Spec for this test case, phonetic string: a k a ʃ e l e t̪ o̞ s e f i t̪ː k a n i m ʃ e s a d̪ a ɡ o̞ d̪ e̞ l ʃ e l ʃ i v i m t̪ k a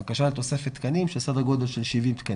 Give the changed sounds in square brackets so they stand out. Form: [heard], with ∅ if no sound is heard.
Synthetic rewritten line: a k a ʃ [a] l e t̪ o̞ s e f [e] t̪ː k a n i m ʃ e s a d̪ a ɡ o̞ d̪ e̞ l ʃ e l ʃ i v i m t̪ k a